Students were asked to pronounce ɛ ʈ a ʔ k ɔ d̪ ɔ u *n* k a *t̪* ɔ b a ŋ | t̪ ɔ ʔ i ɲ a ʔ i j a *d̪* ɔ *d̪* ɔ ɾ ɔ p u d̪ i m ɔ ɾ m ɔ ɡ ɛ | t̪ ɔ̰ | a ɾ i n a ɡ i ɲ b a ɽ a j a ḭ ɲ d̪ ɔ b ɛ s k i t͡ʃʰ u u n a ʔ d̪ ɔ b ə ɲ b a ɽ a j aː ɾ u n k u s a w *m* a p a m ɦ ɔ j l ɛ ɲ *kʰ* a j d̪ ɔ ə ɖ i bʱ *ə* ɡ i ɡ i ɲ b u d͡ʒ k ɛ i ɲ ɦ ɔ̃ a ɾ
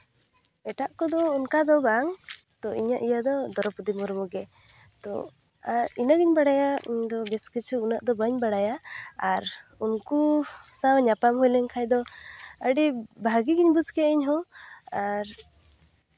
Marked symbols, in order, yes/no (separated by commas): yes, no, yes, yes, no, yes, no